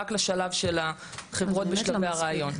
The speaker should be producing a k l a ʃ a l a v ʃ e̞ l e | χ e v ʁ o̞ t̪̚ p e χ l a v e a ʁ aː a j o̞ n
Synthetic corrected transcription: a k l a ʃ a l a v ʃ e̞ l a | χ e v ʁ o̞ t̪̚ b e ʃ l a v e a ʁ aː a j o̞ n